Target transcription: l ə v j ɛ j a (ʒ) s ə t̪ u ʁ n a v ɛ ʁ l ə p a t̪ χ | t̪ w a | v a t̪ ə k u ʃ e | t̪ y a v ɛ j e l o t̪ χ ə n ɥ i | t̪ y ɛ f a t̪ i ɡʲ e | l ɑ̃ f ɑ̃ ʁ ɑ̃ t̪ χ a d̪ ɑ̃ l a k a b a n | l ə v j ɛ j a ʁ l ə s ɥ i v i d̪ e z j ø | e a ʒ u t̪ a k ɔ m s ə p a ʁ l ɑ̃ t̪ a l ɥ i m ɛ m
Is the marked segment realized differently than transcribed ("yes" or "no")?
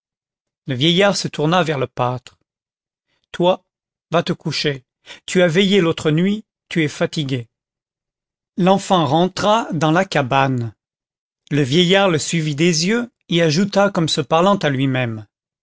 yes